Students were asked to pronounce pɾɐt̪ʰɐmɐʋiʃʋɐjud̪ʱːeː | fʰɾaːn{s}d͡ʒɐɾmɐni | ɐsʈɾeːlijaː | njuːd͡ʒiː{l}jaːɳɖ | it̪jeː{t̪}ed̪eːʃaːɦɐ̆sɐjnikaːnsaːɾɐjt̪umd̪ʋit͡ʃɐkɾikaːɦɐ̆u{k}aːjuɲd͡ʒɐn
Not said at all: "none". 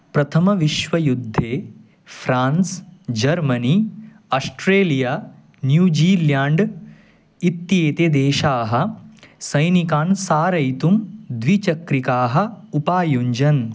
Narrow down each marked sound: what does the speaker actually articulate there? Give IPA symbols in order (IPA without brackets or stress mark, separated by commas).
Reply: s, l, t̪, p